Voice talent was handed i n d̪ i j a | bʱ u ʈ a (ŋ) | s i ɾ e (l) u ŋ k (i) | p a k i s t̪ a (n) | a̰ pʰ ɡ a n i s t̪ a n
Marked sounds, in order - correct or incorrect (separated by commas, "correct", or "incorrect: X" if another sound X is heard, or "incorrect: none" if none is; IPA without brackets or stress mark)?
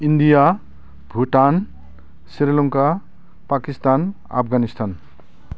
incorrect: n, correct, incorrect: a, correct